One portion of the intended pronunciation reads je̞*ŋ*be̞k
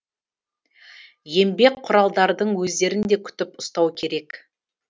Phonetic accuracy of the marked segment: incorrect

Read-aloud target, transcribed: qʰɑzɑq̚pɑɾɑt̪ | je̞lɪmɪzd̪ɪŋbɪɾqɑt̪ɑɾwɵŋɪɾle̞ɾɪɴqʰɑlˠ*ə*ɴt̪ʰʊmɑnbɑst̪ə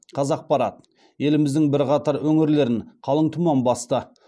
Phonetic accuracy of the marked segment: correct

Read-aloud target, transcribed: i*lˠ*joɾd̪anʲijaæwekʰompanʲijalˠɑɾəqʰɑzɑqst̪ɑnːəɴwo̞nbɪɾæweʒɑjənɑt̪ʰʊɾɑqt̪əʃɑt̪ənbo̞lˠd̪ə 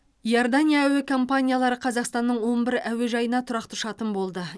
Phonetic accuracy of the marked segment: incorrect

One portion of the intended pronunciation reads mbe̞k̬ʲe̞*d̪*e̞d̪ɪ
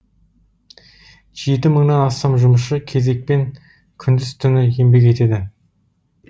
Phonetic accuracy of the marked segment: incorrect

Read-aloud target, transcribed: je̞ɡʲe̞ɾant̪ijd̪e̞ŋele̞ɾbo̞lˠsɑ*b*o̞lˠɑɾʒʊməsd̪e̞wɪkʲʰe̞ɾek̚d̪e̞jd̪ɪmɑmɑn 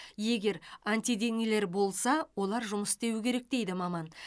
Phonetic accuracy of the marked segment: incorrect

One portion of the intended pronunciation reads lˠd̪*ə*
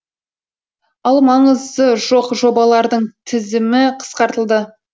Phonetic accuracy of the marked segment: correct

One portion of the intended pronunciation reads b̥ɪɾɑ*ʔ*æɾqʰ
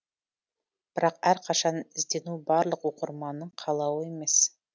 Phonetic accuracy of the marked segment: incorrect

